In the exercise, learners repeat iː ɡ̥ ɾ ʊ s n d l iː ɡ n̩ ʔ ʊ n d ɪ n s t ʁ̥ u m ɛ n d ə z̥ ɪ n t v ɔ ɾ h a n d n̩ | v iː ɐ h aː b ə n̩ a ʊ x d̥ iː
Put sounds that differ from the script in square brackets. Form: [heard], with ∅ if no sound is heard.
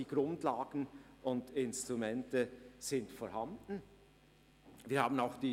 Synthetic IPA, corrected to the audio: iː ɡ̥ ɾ ʊ [∅] n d l [aː] ɡ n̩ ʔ ʊ n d ɪ n s t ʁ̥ u m ɛ n [t] ə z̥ ɪ n t [f] ɔ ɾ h a n d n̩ | v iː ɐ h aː b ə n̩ a ʊ x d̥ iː